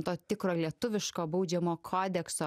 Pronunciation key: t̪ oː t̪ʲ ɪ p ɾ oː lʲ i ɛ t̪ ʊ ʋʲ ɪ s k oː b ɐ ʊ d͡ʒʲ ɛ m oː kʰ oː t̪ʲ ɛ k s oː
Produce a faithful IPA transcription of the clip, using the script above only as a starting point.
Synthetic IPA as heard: t̪ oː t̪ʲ ɪ k ɾ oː lʲ i ɛ t̪ ʊ ʋʲ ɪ ʃ k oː b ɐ ʊ d͡ʒʲ ɛ m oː kʰ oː d̪ʲ ɛ k s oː